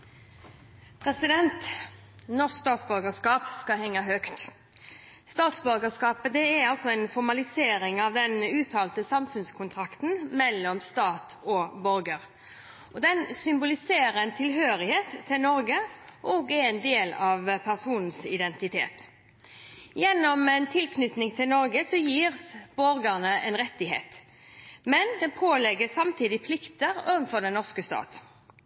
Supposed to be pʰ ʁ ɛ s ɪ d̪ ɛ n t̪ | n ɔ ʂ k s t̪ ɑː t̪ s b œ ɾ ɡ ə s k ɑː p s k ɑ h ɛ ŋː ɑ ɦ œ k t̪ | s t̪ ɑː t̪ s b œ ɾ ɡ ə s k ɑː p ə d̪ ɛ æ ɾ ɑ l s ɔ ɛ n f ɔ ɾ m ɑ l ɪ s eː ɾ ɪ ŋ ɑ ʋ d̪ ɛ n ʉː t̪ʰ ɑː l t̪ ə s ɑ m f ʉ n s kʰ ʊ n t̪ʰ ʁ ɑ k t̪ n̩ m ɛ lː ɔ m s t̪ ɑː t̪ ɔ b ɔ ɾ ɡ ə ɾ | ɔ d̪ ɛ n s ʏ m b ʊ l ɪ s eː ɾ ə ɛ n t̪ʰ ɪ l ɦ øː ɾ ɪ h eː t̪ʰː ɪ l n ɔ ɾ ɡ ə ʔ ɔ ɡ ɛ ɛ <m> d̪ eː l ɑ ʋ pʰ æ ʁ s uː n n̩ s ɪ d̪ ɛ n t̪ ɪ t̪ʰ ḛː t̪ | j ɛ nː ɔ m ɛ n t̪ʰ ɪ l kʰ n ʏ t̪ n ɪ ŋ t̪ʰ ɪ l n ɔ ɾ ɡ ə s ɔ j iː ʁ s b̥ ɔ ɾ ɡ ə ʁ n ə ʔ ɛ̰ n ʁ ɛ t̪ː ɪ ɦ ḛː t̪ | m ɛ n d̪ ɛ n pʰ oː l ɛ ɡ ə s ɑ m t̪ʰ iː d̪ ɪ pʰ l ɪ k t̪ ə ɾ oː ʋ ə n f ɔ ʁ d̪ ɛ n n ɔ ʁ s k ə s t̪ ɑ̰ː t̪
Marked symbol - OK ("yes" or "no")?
no